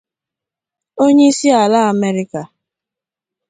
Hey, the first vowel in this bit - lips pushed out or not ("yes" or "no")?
yes